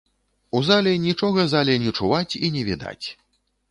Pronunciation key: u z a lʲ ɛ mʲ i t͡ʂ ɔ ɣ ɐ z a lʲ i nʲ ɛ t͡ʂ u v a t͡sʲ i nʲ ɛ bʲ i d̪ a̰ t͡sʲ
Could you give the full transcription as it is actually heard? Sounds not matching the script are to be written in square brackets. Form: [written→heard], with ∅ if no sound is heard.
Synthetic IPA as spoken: u z a lʲ ɛ [mʲ→nʲ] i t͡ʂ ɔ ɣ ɐ z a lʲ [i→ɛ] nʲ ɛ t͡ʂ u v a t͡sʲ i nʲ ɛ [bʲ→vʲ] i d̪ a̰ t͡sʲ